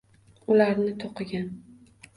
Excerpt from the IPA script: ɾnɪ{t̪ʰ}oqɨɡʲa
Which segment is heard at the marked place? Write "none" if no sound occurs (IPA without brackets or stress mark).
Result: t̪ʰ